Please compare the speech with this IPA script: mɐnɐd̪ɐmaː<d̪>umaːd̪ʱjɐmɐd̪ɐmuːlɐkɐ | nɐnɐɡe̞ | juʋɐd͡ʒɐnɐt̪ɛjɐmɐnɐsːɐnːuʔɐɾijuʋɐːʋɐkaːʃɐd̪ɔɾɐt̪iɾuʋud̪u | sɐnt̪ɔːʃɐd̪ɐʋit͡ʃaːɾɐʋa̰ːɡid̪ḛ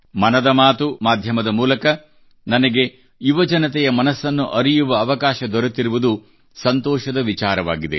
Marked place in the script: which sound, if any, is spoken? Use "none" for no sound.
t̪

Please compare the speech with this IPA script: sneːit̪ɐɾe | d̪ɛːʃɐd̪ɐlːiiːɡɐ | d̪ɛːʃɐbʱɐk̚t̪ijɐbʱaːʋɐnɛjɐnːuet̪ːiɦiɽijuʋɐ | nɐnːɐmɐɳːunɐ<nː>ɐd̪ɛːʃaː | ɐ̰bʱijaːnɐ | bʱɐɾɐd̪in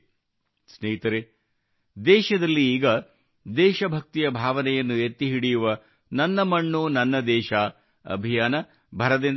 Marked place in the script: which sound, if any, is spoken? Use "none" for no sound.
nː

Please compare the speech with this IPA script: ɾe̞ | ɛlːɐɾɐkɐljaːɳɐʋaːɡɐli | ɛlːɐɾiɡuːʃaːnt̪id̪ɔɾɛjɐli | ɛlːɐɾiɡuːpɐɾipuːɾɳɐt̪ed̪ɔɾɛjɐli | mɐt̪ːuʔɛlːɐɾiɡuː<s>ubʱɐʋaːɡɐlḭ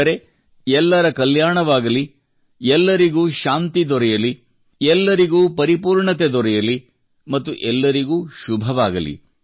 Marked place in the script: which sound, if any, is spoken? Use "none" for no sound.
ʃ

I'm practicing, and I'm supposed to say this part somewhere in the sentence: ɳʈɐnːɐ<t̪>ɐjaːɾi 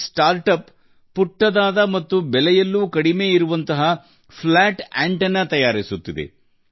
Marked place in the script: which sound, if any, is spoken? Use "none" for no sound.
t̪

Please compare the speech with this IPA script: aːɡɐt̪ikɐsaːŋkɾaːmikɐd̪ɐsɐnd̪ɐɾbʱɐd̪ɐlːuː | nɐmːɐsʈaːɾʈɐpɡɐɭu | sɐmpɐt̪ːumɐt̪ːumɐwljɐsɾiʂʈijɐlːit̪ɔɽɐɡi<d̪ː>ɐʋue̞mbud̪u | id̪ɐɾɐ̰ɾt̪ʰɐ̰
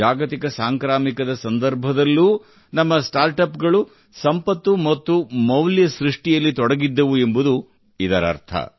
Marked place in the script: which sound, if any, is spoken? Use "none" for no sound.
d̪ː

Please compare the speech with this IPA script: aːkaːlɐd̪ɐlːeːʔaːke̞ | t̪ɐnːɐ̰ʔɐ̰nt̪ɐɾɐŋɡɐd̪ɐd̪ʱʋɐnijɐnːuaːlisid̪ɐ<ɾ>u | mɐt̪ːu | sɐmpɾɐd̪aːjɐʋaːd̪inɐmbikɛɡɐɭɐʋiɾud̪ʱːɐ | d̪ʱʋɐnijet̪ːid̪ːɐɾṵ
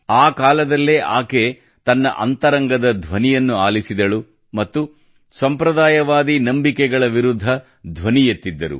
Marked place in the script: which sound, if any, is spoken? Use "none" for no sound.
ɭ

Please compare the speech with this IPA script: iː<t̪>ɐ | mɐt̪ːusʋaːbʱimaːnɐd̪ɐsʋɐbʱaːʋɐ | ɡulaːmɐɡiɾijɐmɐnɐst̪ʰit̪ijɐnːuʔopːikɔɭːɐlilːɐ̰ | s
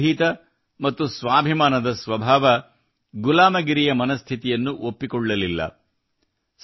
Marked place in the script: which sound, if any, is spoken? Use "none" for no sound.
t̪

